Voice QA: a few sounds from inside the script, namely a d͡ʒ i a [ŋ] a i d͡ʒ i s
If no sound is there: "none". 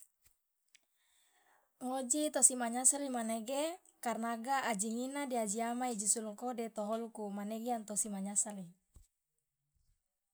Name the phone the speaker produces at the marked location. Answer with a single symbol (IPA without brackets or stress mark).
m